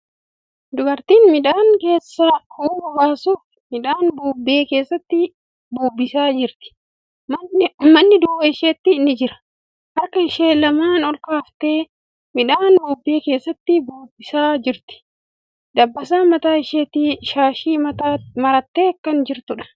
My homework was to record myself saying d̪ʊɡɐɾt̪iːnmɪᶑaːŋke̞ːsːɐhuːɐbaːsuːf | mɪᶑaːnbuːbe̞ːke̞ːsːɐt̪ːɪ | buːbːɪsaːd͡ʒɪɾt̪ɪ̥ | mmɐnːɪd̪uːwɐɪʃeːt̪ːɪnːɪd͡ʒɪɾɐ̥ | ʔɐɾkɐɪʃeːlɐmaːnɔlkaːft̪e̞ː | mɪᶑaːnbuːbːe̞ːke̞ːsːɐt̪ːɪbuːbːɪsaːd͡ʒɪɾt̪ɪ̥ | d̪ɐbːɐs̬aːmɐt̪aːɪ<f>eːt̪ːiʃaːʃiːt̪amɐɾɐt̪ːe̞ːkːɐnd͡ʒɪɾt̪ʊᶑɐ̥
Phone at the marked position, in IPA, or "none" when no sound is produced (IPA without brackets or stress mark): ʃ